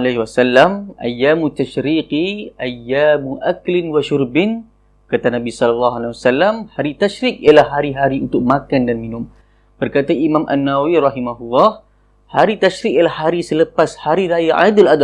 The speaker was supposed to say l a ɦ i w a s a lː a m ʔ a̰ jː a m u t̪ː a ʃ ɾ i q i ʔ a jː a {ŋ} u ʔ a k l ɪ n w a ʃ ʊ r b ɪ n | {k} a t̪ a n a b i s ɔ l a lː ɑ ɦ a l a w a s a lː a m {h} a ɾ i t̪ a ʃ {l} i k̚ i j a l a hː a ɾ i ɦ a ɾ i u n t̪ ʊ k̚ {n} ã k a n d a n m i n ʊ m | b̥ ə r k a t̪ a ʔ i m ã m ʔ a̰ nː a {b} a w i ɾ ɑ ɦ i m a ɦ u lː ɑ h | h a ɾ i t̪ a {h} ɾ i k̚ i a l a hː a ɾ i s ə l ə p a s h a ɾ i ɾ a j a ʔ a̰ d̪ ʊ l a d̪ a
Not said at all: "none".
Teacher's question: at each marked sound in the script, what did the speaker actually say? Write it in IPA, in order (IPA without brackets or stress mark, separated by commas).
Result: m, k, h, ɾ, m, w, ʃ